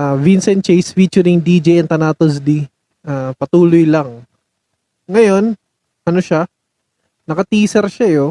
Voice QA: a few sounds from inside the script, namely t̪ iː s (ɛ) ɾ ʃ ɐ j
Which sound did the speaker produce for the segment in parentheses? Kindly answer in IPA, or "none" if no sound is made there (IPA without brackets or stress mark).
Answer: ɛ